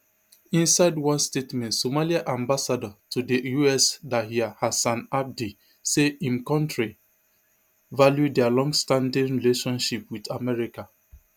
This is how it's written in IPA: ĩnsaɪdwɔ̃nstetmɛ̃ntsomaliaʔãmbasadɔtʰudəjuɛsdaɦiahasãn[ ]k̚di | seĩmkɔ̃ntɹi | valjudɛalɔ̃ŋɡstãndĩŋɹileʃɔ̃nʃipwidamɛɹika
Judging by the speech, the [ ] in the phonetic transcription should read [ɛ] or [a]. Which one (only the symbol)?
a